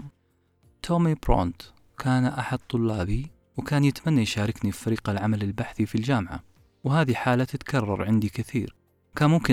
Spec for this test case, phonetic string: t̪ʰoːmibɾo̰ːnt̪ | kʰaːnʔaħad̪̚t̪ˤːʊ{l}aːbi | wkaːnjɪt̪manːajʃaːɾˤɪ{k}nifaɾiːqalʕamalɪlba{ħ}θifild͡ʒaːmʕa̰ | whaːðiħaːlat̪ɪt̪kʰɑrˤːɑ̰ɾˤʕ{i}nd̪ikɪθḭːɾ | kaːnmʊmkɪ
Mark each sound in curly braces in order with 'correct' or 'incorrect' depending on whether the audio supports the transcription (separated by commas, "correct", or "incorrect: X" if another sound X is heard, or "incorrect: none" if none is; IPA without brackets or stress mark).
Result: incorrect: lː, correct, correct, incorrect: ɪ